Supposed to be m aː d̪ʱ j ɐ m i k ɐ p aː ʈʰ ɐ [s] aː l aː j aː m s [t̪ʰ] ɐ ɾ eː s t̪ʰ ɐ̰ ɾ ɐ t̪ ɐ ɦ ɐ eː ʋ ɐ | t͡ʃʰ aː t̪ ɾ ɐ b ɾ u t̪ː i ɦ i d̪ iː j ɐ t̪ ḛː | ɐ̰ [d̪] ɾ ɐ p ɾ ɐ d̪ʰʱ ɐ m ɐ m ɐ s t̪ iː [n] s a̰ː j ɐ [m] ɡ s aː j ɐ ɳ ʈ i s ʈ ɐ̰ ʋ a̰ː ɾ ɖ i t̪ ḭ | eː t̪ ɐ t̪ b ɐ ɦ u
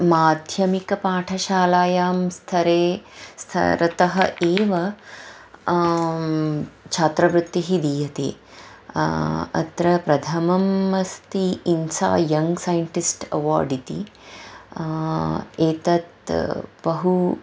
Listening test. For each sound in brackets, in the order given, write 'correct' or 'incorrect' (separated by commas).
incorrect, correct, incorrect, correct, incorrect